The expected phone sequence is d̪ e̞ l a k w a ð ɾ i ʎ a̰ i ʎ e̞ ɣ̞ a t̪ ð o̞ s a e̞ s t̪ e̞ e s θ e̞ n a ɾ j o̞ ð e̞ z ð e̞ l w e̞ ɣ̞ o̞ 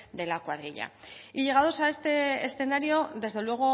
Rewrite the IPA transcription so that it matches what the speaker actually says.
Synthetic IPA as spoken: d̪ e̞ l a k w a ð ɾ i ʎ a̰ i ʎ e̞ ɣ̞ a ð o̞ s a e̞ s t̪ e̞ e s θ e̞ n a ɾ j o̞ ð e̞ z ð e̞ l w e̞ ɣ̞ o̞